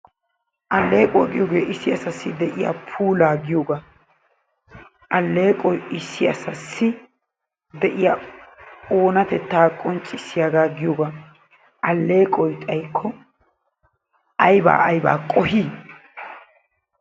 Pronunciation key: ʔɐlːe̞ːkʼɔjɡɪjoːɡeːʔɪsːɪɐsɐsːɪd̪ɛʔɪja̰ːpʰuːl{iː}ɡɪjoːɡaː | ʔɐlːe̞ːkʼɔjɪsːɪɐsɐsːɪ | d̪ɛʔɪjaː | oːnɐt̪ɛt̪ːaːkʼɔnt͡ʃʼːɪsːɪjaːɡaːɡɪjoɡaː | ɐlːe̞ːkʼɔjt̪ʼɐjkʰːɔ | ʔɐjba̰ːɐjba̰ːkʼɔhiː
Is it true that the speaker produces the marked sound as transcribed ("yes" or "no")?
no